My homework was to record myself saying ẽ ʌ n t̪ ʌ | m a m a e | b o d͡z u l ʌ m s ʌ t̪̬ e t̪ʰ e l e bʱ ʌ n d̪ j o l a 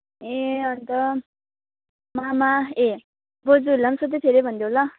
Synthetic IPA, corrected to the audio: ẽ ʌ n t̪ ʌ | m a m a e | b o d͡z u l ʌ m s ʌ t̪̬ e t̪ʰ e ɾ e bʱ ʌ n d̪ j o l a